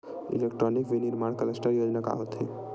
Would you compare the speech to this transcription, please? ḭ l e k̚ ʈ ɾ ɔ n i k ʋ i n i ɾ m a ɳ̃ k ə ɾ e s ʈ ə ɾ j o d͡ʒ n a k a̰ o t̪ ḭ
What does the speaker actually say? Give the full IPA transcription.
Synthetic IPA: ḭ l e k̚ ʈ ɾ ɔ n i k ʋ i n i ɾ m a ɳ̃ k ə l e s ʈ ə ɾ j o d͡ʒ n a k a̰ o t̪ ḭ